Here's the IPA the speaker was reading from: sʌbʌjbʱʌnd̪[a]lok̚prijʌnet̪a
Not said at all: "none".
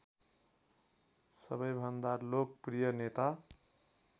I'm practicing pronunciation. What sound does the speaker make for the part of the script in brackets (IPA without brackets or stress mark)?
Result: a